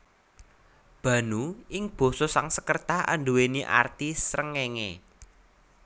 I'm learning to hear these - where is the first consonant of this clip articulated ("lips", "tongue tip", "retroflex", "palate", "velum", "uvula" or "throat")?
lips